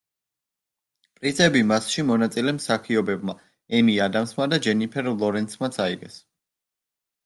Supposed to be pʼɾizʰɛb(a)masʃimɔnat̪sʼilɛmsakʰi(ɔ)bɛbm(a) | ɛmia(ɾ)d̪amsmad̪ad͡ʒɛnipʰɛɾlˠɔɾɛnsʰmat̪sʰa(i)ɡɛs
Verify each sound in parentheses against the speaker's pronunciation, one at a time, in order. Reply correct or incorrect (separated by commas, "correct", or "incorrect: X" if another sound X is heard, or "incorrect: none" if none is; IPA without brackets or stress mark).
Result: incorrect: i, correct, correct, incorrect: none, correct